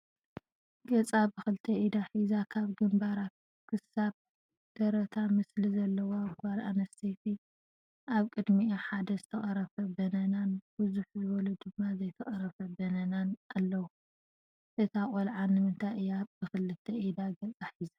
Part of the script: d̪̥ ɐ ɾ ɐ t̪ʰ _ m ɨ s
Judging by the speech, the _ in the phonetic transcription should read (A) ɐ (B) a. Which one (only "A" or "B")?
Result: B